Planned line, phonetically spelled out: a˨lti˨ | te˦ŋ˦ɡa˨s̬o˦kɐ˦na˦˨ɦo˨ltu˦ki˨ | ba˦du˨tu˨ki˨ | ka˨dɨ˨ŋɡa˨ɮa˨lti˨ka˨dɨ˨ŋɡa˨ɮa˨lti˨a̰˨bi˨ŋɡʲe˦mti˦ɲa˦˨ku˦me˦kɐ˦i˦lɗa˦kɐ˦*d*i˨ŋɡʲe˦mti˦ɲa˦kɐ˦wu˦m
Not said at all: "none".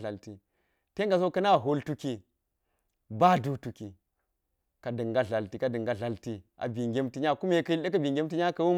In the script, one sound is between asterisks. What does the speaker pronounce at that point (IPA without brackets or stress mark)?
b